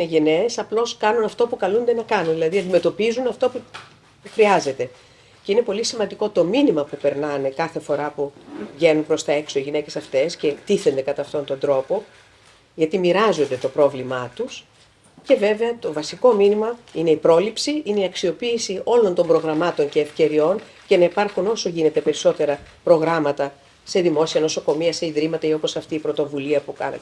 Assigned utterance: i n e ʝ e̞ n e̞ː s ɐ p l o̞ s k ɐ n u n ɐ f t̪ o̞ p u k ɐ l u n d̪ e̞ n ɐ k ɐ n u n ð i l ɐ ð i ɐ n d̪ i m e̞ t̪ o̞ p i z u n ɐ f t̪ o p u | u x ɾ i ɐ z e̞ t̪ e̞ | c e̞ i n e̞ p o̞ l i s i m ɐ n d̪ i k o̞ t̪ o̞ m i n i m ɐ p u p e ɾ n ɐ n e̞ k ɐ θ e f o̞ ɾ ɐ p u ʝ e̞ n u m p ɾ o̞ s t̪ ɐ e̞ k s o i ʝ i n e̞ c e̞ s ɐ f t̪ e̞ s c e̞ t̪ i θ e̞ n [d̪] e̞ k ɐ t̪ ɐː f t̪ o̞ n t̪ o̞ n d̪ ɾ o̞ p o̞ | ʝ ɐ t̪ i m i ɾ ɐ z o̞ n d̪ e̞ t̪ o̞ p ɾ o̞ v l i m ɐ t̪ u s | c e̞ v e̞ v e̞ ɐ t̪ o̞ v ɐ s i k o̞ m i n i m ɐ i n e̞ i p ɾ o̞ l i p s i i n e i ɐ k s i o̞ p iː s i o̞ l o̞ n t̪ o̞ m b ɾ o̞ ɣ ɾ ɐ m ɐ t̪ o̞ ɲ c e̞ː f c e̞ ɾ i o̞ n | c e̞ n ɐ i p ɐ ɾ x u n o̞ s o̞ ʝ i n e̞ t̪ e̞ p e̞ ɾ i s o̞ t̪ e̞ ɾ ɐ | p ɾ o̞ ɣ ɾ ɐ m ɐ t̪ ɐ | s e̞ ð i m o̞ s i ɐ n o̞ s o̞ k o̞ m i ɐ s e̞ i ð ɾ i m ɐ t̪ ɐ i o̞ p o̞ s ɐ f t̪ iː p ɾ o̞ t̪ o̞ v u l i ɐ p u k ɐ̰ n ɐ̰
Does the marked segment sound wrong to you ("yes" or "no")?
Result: no